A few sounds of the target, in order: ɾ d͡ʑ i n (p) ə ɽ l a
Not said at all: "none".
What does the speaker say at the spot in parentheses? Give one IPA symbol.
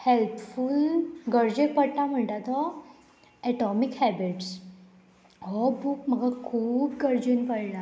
p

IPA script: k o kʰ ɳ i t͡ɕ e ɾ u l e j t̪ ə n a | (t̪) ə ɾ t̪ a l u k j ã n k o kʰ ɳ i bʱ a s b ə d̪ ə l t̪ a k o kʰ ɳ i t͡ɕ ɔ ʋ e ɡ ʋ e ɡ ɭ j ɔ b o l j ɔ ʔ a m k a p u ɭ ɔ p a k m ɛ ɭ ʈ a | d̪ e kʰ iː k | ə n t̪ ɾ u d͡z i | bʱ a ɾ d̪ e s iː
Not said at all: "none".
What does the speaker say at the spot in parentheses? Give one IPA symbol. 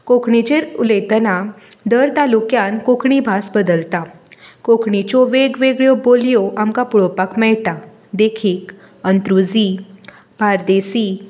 d̪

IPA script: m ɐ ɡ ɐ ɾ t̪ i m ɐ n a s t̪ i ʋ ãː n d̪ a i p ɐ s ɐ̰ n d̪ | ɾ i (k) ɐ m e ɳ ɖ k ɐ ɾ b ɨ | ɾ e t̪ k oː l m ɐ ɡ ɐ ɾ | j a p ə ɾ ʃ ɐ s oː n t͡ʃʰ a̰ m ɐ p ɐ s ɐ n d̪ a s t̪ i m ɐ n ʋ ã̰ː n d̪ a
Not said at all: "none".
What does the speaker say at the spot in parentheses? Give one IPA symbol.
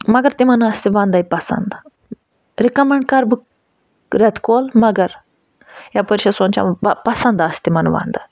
k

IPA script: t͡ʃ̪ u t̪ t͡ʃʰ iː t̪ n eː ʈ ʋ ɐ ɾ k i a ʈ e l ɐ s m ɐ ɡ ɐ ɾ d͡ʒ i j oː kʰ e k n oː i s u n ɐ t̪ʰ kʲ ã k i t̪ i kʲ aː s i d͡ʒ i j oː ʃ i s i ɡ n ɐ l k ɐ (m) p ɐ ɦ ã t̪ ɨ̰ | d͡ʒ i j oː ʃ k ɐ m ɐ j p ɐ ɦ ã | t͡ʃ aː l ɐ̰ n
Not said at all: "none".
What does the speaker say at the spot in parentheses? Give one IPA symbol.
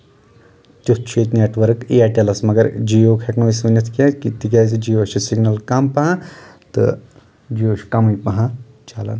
m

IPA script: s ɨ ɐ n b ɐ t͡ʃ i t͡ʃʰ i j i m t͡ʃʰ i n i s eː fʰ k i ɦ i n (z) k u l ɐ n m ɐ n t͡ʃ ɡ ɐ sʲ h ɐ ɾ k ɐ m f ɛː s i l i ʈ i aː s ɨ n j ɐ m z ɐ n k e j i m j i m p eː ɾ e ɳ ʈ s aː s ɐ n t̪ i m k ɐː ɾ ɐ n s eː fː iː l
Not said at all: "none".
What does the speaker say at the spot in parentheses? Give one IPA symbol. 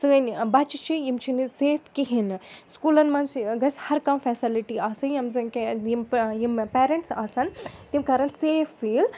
s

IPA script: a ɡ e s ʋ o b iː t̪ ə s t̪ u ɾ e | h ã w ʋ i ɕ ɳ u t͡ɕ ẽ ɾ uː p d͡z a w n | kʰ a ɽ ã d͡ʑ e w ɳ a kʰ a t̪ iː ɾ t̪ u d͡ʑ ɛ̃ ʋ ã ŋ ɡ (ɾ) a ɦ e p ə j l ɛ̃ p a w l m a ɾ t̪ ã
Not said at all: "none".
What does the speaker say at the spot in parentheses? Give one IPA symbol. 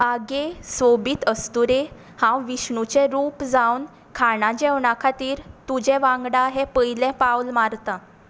ɽ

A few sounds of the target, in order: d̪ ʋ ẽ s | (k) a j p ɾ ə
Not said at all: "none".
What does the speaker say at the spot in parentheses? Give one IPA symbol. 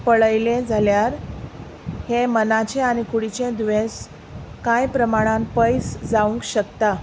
k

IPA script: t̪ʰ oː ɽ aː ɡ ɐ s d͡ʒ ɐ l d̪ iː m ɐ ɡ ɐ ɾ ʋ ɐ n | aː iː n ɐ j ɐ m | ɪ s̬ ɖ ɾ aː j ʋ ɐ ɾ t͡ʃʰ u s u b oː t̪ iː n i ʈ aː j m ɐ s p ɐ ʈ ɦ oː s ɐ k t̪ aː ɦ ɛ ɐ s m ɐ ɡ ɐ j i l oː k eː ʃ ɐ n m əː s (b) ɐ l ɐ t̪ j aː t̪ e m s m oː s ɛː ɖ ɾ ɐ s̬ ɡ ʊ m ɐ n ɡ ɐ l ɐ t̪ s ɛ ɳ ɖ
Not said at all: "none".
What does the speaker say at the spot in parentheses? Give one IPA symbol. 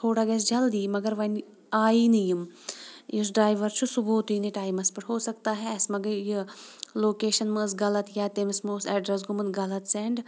ɡ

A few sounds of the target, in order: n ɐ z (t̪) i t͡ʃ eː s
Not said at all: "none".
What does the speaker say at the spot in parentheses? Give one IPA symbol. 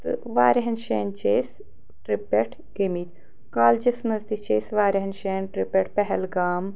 d̪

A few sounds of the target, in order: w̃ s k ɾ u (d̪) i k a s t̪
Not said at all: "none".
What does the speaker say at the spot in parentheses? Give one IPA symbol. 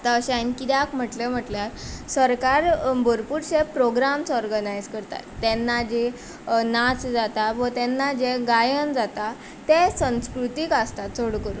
t̪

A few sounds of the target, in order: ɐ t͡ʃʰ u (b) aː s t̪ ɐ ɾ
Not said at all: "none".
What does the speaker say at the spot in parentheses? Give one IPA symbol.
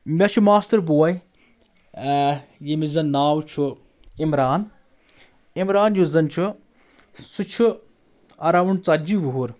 m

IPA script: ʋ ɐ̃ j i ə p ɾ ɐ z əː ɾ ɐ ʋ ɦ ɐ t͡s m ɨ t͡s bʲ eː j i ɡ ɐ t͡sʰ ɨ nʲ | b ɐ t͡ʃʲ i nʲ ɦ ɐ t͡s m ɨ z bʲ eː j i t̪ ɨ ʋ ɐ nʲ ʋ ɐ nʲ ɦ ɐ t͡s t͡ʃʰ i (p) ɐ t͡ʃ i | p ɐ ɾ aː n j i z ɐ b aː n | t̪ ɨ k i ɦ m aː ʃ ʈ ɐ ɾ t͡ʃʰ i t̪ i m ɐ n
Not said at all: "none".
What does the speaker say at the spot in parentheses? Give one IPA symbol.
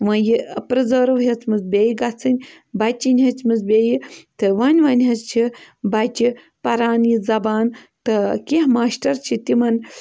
b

